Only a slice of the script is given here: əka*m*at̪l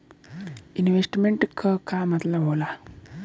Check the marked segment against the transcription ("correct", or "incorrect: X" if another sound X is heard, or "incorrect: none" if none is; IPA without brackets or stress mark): correct